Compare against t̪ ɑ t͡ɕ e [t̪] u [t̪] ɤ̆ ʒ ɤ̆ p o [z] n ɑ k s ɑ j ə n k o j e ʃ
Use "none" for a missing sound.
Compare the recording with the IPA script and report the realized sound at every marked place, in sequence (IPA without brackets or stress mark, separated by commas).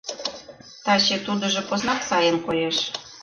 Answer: t̪, d̪, z